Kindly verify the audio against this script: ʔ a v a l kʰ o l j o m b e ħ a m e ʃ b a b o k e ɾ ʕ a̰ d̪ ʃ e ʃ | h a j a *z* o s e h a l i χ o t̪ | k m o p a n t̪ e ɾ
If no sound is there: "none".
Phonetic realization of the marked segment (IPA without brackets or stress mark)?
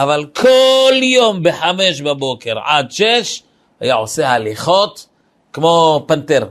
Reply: ʕ